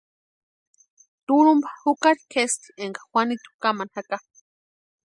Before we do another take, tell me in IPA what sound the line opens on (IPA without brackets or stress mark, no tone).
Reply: t̪